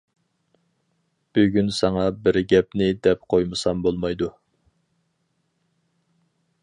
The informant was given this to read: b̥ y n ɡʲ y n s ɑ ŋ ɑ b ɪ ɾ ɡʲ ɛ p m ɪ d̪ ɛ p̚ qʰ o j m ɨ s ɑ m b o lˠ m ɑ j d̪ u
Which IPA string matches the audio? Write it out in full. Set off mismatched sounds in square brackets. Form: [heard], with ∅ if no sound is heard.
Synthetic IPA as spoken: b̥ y [∅] ɡʲ y n s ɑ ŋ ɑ b ɪ ɾ ɡʲ ɛ p [n] ɪ d̪ ɛ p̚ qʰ o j m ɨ s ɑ m b o lˠ m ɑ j d̪ u